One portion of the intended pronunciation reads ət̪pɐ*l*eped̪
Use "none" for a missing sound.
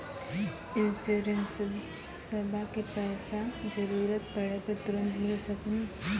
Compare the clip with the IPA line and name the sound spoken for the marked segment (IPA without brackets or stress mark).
ɽ